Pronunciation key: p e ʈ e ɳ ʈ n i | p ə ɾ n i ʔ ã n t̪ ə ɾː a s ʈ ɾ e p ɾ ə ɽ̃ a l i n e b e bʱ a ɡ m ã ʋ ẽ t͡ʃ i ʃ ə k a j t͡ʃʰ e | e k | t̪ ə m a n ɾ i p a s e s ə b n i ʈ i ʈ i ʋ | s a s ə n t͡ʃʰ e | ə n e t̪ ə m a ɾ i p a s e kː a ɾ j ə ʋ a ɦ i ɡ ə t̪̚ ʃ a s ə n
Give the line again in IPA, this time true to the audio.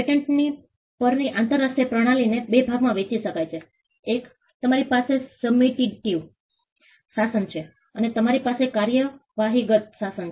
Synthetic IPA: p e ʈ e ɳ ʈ n i | p ə ɾ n i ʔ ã n t̪ ə ɾː a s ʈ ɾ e p ɾ ə ɽ̃ a l i n e b e bʱ a ɡ m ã ʋ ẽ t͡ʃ i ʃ ə k a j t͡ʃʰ e | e k | t̪ ə m a ɾ i p a s e s ə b m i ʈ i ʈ i ʋ | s a s ə n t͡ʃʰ e | ə n e t̪ ə m a ɾ i p a s e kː a ɾ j ə ʋ a ɦ i ɡ ə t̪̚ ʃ a s ə n